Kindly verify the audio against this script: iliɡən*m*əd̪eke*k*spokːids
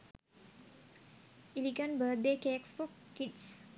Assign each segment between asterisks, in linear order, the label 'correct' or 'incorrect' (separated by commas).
incorrect, correct